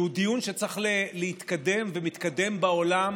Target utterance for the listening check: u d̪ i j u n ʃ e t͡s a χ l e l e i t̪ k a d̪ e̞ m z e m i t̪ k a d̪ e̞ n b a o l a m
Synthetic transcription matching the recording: u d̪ i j u n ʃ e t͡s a χ l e l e i t̪ k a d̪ e̞ m v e m i t̪ k a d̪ e̞ m b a o l a m